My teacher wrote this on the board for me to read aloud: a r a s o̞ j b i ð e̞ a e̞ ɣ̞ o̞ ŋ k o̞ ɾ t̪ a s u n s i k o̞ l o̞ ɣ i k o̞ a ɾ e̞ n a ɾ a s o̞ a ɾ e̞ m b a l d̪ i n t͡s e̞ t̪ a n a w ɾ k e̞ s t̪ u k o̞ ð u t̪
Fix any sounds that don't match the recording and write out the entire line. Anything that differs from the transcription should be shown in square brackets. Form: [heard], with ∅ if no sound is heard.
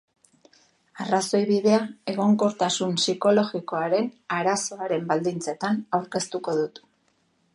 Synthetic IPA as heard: a r a s o̞ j [β] i ð e̞ a e̞ ɣ̞ o̞ ŋ k o̞ ɾ t̪ a s u n s i k o̞ l o̞ ɣ i k o̞ a ɾ e̞ n a ɾ a s o̞ a ɾ e̞ m b a l d̪ i n t͡s e̞ t̪ a n a w ɾ k e̞ s t̪ u k o̞ ð u t̪

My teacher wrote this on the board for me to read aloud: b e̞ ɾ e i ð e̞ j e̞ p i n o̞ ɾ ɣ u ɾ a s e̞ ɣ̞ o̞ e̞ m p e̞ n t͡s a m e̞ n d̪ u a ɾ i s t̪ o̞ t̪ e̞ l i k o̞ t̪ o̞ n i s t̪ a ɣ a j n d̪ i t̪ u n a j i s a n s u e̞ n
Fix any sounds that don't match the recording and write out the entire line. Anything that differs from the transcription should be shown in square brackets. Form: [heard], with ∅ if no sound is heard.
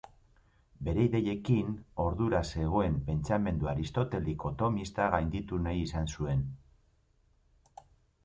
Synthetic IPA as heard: b e̞ ɾ e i ð e̞ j e̞ [k] i n o̞ ɾ [ð] u ɾ a s e̞ ɣ̞ o̞ e̞ m p e̞ n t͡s a m e̞ n d̪ u a ɾ i s t̪ o̞ t̪ e̞ l i k o̞ t̪ o̞ [m] i s t̪ a ɣ a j n d̪ i t̪ u n a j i s a n s u e̞ n

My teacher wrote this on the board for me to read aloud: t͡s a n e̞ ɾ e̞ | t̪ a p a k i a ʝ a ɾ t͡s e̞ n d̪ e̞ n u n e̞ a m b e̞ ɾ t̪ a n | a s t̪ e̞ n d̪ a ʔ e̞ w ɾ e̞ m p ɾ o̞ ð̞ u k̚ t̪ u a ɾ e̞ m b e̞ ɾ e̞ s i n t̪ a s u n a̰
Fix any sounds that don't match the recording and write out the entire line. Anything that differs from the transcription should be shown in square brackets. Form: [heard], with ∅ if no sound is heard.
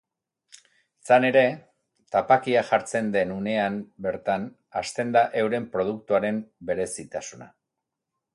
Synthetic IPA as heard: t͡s a n e̞ ɾ e̞ | t̪ a p a k i a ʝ a ɾ t͡s e̞ n d̪ e̞ n u n e̞ a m b e̞ ɾ t̪ a n | a s t̪ e̞ n d̪ a ʔ e̞ w ɾ e̞ m p ɾ o̞ ð̞ u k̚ t̪ u a ɾ e̞ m b e̞ ɾ e̞ s i [∅] t̪ a s u n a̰

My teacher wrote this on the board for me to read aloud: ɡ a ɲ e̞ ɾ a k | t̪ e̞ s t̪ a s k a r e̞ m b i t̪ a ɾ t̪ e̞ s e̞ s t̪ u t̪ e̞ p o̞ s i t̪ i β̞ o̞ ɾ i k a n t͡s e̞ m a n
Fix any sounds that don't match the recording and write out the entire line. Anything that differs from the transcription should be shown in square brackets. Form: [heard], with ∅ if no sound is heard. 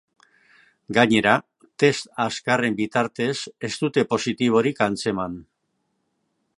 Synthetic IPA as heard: ɡ a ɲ e̞ ɾ a [∅] | t̪ e̞ s t̪ a s k a r e̞ m b i t̪ a ɾ t̪ e̞ s e̞ s t̪ u t̪ e̞ p o̞ s i t̪ i β̞ o̞ ɾ i k a n t͡s e̞ m a n

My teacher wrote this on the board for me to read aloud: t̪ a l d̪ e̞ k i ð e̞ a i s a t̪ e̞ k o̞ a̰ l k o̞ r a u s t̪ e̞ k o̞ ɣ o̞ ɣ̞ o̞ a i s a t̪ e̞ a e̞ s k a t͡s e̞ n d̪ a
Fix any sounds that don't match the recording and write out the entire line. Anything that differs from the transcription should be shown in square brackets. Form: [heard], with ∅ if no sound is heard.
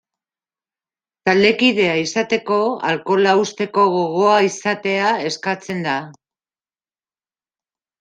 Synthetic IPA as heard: t̪ a l d̪ e̞ k i ð e̞ a i s a t̪ e̞ k o̞ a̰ l k o̞ [l] a u s t̪ e̞ k o̞ ɣ o̞ ɣ̞ o̞ a i s a t̪ e̞ a e̞ s k a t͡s e̞ n d̪ a

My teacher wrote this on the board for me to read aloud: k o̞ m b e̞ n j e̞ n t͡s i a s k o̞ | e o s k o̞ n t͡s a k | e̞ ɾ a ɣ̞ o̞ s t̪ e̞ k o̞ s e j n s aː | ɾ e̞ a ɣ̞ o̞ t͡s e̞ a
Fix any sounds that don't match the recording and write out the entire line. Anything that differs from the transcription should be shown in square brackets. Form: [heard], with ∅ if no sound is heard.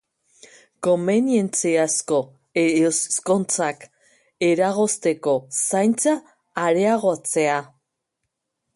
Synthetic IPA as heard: k o̞ m b e̞ n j e̞ n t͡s i a s k o̞ | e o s k o̞ n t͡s a k | e̞ ɾ a ɣ̞ o̞ s t̪ e̞ k o̞ s [a] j n [t͡s] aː | ɾ e̞ a ɣ̞ o̞ t͡s e̞ a

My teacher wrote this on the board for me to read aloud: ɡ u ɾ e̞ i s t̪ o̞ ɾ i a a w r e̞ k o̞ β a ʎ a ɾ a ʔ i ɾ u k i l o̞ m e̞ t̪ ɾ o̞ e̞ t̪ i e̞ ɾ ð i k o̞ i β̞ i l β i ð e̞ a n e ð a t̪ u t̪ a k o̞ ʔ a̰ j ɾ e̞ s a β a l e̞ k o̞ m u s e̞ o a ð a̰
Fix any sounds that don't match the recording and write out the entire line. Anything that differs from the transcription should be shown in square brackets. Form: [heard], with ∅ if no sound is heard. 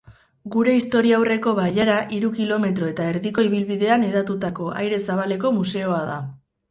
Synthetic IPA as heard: ɡ u ɾ e̞ i s t̪ o̞ ɾ i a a w r e̞ k o̞ β a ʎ a ɾ a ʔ i ɾ u k i l o̞ m e̞ t̪ ɾ o̞ e̞ t̪ [a] e̞ ɾ ð i k o̞ i β̞ i l β i ð e̞ a n e ð a t̪ u t̪ a k o̞ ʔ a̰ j ɾ e̞ s a β a l e̞ k o̞ m u s e̞ o a ð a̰

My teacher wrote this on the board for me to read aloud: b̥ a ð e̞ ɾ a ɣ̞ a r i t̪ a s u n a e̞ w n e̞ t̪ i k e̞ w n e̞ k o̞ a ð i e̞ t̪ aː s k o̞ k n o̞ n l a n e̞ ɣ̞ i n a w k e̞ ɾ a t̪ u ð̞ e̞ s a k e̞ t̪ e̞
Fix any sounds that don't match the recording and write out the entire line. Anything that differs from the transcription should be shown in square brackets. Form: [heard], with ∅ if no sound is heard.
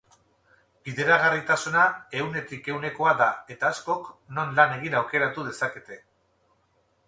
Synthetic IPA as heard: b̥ [i] ð e̞ ɾ a ɣ̞ a r i t̪ a s u n a e̞ w n e̞ t̪ i k e̞ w n e̞ k o̞ a ð [a] e̞ t̪ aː s k o̞ k n o̞ n l a n e̞ ɣ̞ i n a w k e̞ ɾ a t̪ u ð̞ e̞ s a k e̞ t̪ e̞

